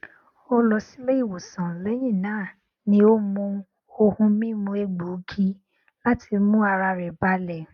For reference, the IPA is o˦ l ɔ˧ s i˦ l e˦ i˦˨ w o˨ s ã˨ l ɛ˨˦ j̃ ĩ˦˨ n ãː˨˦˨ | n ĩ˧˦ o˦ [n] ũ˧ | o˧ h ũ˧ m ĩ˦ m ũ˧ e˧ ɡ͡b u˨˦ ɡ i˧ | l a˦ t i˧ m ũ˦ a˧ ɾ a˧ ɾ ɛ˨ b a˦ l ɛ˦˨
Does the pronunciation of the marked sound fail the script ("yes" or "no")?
yes